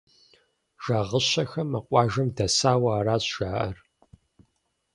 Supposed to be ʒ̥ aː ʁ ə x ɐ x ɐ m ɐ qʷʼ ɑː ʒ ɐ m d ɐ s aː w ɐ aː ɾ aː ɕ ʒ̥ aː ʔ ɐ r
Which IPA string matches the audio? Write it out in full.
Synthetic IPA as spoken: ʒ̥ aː ʁ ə ɕ ɐ x ɐ m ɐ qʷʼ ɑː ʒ ɐ m d ɐ s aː w ɐ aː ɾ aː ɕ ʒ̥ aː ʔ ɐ r